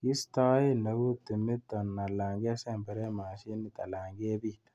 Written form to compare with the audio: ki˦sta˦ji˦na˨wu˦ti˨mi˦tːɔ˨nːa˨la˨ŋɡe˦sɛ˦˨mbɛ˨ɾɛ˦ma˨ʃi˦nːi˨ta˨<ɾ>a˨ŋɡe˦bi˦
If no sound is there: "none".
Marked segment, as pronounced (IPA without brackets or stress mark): l